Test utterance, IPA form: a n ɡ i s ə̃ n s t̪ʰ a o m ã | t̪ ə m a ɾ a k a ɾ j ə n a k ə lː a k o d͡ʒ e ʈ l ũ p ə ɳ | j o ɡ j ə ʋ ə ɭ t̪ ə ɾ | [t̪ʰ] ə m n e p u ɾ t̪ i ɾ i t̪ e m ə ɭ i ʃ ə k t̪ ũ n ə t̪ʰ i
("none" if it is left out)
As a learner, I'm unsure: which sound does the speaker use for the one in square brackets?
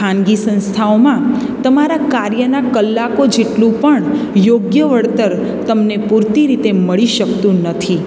t̪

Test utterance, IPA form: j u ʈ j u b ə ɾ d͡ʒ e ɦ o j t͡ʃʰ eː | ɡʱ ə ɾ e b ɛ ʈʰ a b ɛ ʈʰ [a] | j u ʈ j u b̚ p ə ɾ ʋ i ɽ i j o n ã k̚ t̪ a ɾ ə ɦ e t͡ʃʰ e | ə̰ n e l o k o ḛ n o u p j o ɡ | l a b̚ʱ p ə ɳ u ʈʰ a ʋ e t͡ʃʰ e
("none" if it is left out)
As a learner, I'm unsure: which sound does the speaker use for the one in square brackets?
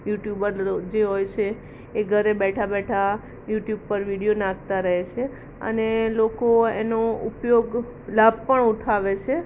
a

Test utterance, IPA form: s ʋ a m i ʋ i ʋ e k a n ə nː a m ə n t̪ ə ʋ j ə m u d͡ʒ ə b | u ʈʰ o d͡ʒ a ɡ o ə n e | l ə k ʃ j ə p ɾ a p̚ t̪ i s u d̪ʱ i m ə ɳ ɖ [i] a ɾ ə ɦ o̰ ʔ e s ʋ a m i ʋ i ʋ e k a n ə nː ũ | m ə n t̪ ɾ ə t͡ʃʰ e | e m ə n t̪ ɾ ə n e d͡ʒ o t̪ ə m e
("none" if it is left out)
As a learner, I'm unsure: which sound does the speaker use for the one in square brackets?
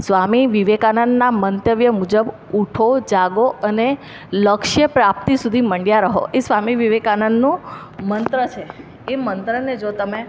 j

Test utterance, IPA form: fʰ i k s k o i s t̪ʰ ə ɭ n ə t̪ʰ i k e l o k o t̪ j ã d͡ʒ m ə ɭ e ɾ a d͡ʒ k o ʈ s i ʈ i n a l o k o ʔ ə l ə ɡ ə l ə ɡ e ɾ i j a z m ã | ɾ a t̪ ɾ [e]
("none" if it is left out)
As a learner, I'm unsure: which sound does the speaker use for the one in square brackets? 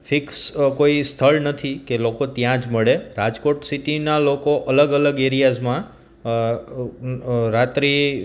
i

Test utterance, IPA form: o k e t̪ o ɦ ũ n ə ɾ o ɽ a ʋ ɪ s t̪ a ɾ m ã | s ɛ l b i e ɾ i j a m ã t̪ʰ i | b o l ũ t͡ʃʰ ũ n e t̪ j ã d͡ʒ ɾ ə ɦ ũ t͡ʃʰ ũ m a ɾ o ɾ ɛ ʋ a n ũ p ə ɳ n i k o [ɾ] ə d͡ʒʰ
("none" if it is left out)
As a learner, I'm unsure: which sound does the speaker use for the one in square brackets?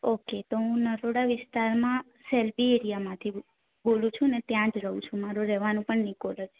l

